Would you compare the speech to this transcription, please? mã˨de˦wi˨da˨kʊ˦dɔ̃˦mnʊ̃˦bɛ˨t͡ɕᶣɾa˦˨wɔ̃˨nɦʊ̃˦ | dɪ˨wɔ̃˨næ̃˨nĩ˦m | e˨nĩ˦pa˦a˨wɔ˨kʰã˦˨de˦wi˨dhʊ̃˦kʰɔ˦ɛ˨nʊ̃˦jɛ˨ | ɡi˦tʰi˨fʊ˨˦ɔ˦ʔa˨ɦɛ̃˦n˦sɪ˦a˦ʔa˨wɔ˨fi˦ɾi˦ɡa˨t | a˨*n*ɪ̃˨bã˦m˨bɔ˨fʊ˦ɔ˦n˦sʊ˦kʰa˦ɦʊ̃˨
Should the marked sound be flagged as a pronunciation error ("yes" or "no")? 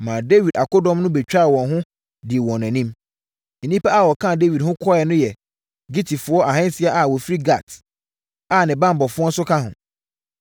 no